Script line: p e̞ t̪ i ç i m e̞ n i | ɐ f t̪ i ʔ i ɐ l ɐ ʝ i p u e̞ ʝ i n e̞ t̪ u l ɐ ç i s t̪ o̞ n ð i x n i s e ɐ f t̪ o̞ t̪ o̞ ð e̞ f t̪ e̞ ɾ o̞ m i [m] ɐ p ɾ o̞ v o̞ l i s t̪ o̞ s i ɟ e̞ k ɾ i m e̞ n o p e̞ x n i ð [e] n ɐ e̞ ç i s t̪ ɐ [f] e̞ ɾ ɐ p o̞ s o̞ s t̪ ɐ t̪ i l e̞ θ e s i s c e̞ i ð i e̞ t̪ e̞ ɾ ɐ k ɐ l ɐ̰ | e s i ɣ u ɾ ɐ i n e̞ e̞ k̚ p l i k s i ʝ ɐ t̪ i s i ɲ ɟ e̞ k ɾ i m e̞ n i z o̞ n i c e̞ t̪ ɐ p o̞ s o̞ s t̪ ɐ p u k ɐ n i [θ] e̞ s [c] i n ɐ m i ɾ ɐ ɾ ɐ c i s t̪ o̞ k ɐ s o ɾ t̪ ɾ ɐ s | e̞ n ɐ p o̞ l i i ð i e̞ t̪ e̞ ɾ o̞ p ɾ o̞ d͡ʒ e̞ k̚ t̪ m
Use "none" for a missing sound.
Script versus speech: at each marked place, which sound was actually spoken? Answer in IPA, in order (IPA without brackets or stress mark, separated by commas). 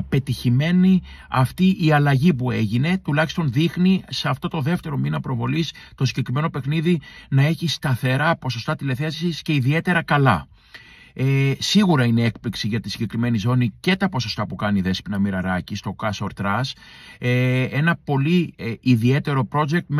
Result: n, i, θ, ð, p